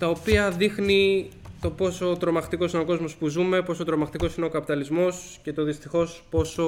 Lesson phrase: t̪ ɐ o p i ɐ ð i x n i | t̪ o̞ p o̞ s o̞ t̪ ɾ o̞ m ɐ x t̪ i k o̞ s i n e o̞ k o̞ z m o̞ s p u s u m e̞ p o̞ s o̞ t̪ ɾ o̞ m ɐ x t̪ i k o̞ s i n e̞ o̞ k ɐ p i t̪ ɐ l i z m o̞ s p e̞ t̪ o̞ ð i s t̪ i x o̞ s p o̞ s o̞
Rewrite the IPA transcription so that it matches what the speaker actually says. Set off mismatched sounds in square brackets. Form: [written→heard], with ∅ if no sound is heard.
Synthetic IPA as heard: t̪ ɐ o p i ɐ ð i x n i | t̪ o̞ p o̞ s o̞ t̪ ɾ o̞ m ɐ x t̪ i k o̞ s i n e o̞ k o̞ z m o̞ s p u [s→z] u m e̞ p o̞ s o̞ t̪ ɾ o̞ m ɐ x t̪ i k o̞ s i n e̞ o̞ k ɐ p i t̪ ɐ l i z m o̞ s [p→c] e̞ t̪ o̞ ð i s t̪ i x o̞ s p o̞ s o̞